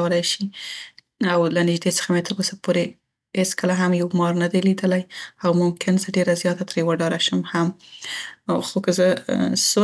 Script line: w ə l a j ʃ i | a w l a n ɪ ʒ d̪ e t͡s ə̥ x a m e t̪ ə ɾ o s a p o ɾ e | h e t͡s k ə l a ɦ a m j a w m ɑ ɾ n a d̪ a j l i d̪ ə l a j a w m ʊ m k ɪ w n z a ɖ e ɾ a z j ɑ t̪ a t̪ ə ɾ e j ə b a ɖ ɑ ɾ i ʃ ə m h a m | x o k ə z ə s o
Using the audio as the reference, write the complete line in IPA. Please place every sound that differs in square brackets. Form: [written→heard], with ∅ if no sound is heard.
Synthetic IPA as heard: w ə l a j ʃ i | a w l a n ɪ ʒ d̪ e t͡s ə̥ x a m e t̪ ə ɾ o s a p o ɾ e | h e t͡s k ə l a ɦ a m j a w m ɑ ɾ n a d̪ a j l i d̪ ə l a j a w m ʊ m k ɪ [w→∅] n z [a→ə] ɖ e ɾ a z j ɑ t̪ a t̪ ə ɾ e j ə [b→w] a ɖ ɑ ɾ [i→a] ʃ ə m h a m | x o k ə z ə s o